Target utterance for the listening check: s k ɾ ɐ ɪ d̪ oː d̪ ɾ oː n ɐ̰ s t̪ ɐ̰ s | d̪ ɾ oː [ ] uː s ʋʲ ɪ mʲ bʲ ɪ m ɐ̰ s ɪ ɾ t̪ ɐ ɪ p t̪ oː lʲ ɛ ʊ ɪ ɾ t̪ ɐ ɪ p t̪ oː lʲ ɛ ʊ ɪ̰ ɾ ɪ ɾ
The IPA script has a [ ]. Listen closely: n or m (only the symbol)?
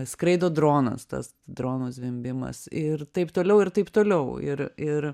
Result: n